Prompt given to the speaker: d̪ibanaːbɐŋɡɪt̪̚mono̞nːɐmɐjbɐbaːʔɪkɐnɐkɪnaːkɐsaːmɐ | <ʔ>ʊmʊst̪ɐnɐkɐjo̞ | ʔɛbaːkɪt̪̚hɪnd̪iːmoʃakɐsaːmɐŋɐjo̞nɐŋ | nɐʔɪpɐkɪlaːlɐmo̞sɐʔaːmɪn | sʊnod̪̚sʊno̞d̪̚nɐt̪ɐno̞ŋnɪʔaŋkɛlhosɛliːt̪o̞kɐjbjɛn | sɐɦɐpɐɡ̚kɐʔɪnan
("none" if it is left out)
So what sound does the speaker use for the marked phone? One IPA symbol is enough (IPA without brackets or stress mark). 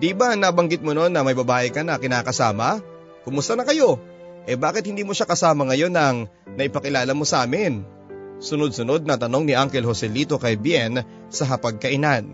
k